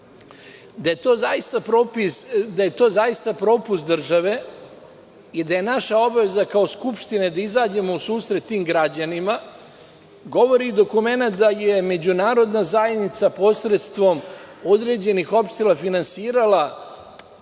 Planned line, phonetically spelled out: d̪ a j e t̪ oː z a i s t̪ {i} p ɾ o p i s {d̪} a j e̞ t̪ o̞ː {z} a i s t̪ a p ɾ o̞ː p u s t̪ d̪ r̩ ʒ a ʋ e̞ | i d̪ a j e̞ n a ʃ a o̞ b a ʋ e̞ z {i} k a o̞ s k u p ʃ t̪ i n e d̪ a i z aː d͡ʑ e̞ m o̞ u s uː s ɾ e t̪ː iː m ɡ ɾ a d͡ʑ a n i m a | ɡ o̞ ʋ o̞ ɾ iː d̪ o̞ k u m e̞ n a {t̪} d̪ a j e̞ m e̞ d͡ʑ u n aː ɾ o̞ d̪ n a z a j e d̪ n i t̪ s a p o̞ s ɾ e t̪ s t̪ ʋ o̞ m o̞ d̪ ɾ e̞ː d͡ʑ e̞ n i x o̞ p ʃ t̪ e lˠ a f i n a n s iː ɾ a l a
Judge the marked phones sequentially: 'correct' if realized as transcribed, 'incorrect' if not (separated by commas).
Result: incorrect, correct, correct, incorrect, correct